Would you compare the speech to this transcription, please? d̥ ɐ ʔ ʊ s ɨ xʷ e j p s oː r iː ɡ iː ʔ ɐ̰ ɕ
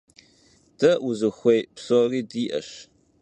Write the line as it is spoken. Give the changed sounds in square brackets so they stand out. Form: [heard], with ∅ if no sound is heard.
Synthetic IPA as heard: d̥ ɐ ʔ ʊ [z] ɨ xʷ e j p s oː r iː [d] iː ʔ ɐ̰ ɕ